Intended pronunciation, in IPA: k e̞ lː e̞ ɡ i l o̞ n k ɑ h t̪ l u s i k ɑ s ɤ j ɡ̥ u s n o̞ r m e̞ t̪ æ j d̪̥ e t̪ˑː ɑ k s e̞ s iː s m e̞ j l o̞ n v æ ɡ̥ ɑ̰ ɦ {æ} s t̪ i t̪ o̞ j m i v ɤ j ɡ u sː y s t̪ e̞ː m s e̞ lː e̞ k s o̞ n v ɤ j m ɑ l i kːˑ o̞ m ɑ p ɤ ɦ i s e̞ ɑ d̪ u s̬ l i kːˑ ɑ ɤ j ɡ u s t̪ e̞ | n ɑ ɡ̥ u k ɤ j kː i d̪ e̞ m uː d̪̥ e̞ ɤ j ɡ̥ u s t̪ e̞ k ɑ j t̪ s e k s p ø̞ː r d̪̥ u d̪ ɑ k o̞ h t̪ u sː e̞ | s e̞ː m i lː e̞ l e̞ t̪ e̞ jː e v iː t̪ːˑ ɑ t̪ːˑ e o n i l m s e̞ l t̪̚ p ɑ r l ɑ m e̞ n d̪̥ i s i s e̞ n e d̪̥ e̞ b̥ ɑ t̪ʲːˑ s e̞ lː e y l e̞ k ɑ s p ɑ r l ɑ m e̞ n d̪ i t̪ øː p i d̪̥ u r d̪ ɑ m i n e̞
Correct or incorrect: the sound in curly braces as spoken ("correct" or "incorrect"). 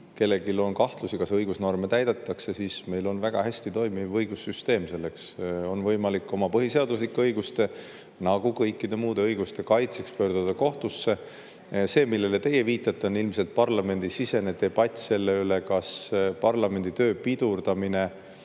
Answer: correct